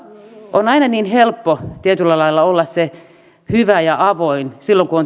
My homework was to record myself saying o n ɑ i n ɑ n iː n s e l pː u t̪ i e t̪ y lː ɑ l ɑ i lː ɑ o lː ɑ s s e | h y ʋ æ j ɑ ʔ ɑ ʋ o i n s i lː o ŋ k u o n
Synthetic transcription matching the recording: o n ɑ i n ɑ n iː n h e l pː o t̪ i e t̪ y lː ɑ l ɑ i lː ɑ o lː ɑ s s e | h y ʋ æ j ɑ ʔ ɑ ʋ o i n s i lː o ŋ k u o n